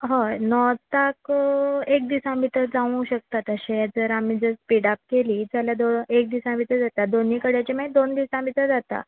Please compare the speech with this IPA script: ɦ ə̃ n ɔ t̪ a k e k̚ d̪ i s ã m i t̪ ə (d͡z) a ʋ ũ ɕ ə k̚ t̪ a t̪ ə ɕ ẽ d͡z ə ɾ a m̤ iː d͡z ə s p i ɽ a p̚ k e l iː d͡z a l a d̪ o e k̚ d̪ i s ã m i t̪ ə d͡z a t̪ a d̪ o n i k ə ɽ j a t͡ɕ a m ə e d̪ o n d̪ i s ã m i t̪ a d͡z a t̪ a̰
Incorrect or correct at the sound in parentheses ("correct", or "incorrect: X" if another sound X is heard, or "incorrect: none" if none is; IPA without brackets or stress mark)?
correct